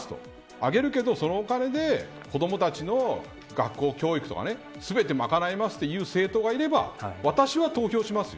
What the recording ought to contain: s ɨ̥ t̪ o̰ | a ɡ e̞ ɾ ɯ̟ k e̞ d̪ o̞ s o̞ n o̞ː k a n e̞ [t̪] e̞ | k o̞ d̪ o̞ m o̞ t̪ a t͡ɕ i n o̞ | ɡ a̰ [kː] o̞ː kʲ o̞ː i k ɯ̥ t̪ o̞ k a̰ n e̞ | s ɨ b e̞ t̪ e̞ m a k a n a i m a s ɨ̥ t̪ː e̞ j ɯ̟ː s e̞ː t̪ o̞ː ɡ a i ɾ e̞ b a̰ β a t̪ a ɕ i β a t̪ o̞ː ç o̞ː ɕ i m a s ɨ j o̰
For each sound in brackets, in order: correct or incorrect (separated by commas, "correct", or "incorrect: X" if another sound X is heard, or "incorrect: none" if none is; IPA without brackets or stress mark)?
incorrect: d̪, correct